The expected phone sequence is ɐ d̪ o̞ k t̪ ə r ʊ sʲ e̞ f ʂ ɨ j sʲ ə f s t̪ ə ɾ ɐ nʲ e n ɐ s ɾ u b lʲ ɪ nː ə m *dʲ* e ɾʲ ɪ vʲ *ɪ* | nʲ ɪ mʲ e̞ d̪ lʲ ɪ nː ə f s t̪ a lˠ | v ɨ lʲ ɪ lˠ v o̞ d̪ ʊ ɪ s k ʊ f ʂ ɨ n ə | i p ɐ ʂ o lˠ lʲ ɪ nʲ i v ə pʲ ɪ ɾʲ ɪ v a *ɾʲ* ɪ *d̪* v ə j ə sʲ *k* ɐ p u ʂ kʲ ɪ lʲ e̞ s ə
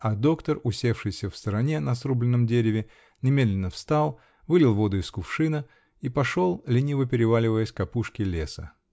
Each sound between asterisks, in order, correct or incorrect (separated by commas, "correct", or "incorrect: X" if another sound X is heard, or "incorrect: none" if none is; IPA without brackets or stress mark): correct, correct, incorrect: lʲ, incorrect: none, correct